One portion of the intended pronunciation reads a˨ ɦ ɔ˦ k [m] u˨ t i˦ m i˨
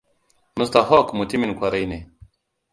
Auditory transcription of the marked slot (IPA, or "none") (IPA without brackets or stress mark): m